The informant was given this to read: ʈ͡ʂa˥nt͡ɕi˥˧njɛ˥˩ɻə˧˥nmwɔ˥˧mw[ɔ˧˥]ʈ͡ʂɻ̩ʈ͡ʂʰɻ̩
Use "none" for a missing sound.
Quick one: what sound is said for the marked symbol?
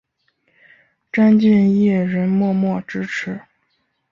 ɔ˥˩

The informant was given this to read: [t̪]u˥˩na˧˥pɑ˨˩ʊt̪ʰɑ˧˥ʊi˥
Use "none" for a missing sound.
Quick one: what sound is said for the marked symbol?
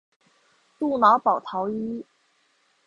t̪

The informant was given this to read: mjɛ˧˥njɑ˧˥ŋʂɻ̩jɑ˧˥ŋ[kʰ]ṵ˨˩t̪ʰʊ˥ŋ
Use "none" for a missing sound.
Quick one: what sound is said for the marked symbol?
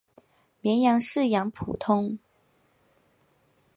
pʰ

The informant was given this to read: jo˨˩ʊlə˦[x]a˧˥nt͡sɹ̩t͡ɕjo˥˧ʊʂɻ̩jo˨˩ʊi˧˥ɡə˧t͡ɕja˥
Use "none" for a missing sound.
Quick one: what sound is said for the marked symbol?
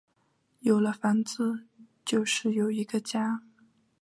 f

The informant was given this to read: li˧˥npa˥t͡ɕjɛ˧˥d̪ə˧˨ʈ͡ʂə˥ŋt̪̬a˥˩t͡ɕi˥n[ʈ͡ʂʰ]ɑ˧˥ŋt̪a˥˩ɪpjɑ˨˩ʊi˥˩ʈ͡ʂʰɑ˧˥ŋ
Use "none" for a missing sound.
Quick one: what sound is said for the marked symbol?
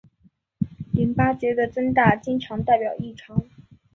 ʈ͡ʂʰ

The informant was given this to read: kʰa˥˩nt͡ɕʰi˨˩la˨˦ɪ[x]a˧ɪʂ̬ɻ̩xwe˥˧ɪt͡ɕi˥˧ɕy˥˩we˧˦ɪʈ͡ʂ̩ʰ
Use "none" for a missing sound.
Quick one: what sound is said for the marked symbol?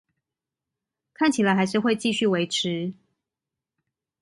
x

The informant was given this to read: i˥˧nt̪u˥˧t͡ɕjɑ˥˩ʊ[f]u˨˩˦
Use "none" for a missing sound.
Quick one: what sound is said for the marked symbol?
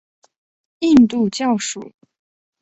ʂ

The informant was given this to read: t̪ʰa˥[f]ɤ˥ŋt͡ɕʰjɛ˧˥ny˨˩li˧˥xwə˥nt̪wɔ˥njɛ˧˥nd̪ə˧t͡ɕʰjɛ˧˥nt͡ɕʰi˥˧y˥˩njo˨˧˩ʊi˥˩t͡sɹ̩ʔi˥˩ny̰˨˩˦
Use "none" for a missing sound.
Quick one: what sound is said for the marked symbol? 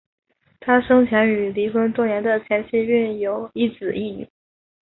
ʂ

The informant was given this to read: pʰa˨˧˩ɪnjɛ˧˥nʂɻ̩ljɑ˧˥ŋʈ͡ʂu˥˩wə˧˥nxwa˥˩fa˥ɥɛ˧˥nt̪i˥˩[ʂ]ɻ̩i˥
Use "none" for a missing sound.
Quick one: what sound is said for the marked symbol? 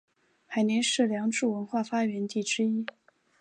ʈ͡ʂ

